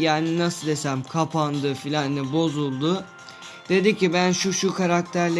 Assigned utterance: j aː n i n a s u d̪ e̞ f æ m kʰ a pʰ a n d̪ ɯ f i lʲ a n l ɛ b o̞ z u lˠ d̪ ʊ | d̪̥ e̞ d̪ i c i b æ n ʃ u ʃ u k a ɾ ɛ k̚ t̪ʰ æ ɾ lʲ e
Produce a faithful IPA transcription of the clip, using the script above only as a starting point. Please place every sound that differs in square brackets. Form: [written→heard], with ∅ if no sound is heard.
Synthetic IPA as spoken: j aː n i n a s [u→ɯ] d̪ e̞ [f→s] æ m kʰ a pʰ a n d̪ ɯ f i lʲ a n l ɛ b o̞ z u lˠ d̪ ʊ | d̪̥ e̞ d̪ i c i b æ n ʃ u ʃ u k a ɾ [ɛ→a] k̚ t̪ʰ æ ɾ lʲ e